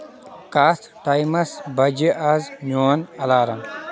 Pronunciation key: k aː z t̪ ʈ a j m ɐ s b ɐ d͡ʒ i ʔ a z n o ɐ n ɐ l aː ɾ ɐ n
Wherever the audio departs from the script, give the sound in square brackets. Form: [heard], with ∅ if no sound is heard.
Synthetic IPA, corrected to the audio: k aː [s] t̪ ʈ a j m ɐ s b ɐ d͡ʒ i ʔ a z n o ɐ n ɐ l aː ɾ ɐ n